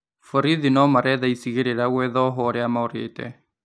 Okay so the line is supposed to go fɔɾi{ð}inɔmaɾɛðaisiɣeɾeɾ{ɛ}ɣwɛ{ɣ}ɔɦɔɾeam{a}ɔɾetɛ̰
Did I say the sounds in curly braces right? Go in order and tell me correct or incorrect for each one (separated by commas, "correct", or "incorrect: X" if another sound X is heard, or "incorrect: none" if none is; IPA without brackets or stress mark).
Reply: correct, incorrect: a, incorrect: ð, correct